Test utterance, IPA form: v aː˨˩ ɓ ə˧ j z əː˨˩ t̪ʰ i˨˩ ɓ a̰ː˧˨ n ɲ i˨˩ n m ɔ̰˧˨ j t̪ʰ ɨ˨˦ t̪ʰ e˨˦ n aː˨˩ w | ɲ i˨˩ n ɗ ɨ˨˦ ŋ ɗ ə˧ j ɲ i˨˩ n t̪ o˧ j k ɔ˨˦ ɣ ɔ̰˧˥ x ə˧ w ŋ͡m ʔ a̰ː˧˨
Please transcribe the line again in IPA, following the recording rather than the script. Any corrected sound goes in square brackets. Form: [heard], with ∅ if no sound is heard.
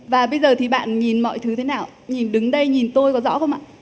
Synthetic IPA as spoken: v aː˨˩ ɓ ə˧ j z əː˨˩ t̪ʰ i˨˩ ɓ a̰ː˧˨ n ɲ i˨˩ n m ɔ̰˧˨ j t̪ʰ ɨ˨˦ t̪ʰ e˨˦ n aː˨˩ w | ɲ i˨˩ n ɗ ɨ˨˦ ŋ ɗ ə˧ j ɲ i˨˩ n t̪ o˧ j k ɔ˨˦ [z] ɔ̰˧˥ x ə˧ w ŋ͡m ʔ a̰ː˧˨